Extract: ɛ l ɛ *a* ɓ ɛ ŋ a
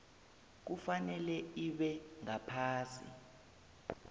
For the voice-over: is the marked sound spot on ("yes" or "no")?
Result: no